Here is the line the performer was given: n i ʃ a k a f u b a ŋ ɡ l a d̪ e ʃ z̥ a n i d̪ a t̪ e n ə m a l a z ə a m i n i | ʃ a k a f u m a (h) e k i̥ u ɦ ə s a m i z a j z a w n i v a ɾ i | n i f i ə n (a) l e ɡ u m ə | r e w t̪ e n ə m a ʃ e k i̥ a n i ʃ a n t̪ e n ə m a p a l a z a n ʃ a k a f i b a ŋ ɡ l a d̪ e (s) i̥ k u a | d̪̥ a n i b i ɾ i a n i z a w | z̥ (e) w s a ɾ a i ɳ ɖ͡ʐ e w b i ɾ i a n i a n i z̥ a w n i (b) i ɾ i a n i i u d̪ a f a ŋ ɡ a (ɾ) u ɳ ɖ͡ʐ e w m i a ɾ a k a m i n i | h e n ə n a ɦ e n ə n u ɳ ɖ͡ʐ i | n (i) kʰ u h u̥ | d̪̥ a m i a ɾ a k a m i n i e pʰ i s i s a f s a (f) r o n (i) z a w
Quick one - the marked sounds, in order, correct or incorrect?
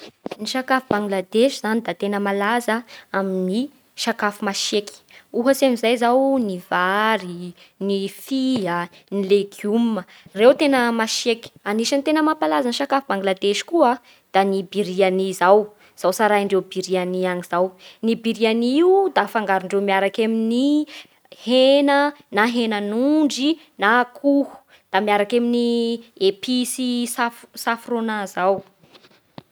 incorrect: ʃ, incorrect: i, incorrect: ʃ, incorrect: a, correct, correct, incorrect: a, correct, incorrect: a

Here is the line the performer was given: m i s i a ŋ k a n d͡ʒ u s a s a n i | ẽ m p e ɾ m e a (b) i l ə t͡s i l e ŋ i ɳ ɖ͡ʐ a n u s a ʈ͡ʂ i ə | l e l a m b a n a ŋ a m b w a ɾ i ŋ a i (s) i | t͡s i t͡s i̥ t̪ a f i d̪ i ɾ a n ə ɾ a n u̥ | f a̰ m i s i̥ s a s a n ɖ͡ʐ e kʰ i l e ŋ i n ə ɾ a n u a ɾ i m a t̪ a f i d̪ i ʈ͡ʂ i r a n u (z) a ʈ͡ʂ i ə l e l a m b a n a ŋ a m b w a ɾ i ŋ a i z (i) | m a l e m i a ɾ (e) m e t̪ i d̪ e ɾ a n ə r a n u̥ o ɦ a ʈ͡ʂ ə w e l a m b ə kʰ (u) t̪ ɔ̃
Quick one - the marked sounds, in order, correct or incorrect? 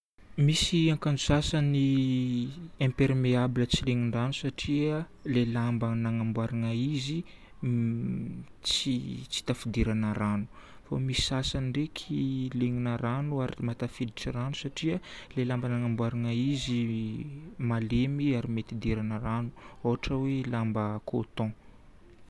correct, incorrect: z, incorrect: s, correct, incorrect: i, incorrect: o

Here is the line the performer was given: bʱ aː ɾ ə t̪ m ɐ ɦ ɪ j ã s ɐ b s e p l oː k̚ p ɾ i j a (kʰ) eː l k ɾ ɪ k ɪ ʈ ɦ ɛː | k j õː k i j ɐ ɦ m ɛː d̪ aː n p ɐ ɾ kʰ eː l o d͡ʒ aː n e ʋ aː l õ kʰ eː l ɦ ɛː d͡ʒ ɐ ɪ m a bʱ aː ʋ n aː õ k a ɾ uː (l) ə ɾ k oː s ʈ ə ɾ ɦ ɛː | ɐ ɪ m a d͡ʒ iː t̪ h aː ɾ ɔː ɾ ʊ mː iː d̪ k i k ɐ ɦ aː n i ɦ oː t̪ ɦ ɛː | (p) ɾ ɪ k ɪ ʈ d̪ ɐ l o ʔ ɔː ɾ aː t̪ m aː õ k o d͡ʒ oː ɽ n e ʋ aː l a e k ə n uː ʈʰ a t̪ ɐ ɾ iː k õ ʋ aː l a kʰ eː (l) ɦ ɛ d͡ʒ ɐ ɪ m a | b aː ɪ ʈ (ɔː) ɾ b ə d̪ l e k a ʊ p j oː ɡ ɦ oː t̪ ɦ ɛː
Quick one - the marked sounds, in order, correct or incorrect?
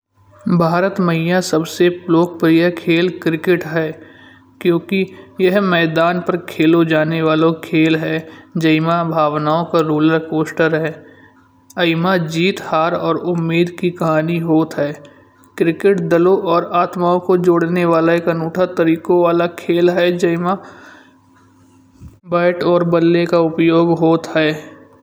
correct, correct, incorrect: k, correct, correct

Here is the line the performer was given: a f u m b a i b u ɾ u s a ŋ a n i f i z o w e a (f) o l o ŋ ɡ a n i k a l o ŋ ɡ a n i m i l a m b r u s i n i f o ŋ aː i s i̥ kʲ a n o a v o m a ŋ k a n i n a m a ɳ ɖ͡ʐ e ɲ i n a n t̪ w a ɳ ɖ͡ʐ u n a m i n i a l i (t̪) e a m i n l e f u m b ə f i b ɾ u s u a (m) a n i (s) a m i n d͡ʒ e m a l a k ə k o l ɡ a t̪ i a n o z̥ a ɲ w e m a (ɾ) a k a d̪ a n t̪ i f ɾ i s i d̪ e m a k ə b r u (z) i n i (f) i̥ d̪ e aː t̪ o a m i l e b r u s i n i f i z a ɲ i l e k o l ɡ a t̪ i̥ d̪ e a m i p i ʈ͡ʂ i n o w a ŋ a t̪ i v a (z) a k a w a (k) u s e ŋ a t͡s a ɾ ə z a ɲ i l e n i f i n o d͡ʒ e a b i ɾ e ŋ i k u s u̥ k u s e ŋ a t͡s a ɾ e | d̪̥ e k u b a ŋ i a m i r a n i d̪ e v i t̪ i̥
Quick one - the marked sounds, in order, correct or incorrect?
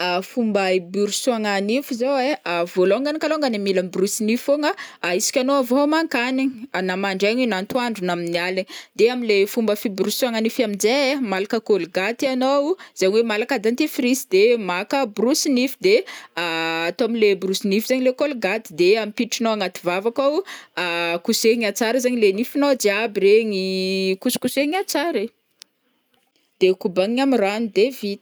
incorrect: v, incorrect: d̪, incorrect: ŋ, incorrect: f, incorrect: l, incorrect: s, correct, incorrect: v, correct

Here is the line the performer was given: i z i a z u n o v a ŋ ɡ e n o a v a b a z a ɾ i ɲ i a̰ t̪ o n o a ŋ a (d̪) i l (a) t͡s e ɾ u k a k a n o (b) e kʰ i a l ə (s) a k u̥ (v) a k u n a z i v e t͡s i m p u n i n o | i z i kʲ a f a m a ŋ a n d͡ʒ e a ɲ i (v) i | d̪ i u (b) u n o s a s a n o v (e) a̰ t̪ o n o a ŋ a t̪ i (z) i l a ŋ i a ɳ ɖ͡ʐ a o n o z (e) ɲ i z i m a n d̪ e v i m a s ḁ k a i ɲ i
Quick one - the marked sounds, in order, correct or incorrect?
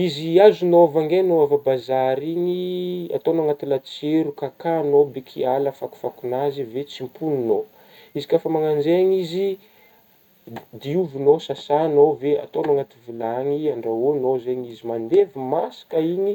incorrect: t̪, correct, correct, incorrect: f, incorrect: f, incorrect: z, incorrect: v, correct, incorrect: v, correct

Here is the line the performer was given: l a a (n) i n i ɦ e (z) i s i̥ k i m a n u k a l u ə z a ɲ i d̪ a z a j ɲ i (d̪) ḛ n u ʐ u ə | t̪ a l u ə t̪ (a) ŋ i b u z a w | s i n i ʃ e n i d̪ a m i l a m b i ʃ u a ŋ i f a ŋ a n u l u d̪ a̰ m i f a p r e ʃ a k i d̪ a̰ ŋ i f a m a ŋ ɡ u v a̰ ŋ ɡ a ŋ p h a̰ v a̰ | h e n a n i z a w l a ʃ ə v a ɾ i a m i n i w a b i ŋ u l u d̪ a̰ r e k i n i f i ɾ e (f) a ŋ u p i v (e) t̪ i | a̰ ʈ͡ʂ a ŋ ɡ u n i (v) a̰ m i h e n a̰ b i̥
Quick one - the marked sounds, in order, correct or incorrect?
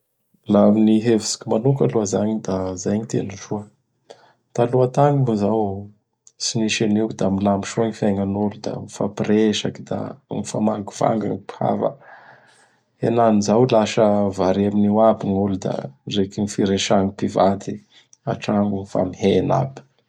incorrect: m, incorrect: v, incorrect: t̪, correct, incorrect: ʃ, incorrect: a, incorrect: f

